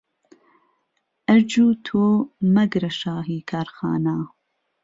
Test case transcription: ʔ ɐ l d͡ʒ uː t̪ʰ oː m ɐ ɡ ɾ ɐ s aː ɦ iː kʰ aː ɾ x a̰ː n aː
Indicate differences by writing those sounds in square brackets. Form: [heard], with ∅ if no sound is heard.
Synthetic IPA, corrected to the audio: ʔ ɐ [ɾ] d͡ʒ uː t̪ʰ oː m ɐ ɡ ɾ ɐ [ʃ] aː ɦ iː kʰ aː ɾ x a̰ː n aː